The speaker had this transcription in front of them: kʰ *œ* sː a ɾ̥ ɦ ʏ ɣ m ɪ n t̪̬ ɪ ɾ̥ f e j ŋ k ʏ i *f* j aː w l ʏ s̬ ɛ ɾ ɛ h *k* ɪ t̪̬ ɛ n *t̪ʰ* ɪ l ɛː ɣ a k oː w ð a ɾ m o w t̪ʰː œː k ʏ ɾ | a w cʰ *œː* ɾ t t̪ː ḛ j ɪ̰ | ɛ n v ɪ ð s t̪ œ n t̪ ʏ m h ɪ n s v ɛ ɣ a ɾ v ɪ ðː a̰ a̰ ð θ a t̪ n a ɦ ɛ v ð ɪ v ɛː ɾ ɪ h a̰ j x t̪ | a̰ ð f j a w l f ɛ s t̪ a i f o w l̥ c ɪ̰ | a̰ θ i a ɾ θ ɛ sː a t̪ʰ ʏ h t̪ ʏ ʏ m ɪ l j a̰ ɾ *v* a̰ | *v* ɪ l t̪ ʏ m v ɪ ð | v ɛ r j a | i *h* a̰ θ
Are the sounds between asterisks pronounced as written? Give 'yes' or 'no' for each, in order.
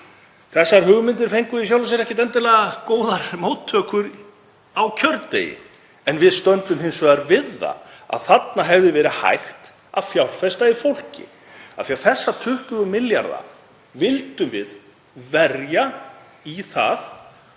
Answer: no, no, no, no, no, no, yes, no

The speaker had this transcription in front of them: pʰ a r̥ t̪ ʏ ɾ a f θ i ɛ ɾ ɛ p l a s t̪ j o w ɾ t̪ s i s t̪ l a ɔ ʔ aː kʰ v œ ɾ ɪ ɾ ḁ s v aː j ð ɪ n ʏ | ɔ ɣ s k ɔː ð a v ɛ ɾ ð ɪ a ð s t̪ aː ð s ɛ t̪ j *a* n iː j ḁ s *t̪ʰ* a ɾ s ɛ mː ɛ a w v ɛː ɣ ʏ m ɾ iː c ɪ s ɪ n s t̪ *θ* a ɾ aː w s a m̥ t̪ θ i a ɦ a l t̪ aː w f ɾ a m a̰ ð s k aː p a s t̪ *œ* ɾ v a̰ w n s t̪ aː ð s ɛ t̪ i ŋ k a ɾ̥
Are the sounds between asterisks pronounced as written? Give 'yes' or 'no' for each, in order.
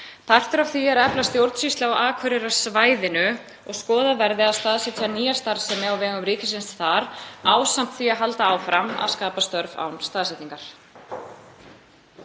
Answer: yes, no, yes, yes

